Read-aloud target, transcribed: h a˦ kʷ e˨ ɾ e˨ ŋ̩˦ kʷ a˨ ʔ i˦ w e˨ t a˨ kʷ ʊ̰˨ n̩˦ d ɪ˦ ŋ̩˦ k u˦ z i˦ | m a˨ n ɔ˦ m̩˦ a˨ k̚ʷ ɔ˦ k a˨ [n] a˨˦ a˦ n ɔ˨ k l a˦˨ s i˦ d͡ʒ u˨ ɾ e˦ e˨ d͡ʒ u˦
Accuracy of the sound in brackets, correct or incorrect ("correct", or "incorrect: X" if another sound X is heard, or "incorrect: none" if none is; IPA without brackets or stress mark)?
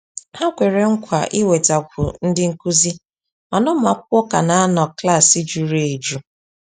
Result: correct